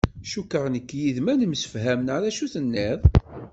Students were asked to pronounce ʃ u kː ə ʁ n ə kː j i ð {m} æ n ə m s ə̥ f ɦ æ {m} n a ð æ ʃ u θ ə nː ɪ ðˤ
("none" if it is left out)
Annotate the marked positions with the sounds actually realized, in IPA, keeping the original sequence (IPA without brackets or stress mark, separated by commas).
m, m